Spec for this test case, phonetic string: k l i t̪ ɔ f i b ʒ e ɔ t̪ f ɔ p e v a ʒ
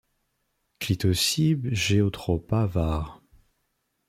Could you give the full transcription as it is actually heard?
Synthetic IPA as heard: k l i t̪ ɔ s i b ʒ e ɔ t̪ χ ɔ p a v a ʁ